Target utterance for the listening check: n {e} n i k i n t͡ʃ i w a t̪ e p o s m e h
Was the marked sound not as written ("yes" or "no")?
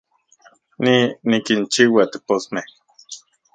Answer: yes